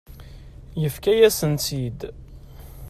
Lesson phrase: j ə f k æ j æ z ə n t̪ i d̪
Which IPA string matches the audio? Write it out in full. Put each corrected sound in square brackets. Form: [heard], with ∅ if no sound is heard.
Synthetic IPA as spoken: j ə f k æ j æ [s] ə n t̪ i d̪